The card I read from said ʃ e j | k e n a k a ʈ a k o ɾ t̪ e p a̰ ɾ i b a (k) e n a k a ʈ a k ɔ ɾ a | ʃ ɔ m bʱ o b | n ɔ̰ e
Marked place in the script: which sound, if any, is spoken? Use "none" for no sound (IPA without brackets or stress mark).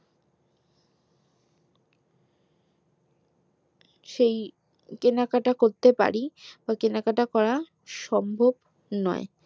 k